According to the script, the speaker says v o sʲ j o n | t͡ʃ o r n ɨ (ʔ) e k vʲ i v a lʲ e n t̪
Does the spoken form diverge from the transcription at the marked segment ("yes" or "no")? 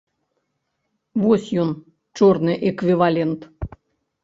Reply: no